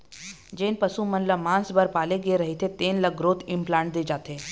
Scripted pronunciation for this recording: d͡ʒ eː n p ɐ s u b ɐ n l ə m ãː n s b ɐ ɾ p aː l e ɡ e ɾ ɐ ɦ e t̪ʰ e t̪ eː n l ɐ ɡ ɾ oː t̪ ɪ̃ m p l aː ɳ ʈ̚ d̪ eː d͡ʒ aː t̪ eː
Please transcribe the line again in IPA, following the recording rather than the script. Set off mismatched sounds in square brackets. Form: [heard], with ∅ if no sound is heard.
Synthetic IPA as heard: d͡ʒ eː n p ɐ s u [m] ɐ n l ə m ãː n s b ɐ ɾ p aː l e ɡ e ɾ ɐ ɦ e t̪ʰ e t̪ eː n l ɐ ɡ ɾ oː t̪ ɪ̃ m p l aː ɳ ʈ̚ d̪ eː d͡ʒ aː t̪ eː